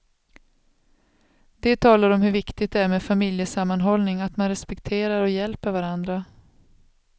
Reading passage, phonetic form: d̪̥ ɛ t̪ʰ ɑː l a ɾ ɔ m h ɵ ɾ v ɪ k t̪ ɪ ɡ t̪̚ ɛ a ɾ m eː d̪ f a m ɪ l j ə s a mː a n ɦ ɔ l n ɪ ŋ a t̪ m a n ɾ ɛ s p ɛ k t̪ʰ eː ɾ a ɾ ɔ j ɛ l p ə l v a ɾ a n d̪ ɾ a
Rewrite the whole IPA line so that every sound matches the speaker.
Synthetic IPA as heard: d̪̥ ɛ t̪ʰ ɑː l a ɾ ɔ m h ɵ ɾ v ɪ k t̪ ɪ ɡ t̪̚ ɛ æ ɾ m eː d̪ f a m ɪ l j ə s a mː a n ɦ ɔ l n ɪ ŋ a t̪ m a n ɾ ɛ s p ɛ k t̪ʰ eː ɾ a ɾ ɔ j ɛ l p ə ɾ v a ɾ a n d̪ ɾ a